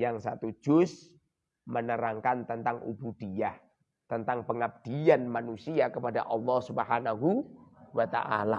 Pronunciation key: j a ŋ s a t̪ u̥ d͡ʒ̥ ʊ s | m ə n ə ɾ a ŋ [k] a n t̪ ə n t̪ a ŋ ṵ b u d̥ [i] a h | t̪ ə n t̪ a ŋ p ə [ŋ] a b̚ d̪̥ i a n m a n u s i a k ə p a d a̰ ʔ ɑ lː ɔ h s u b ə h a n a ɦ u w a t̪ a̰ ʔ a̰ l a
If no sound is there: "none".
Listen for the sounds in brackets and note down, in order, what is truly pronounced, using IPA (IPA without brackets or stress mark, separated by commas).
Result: k, i, ŋ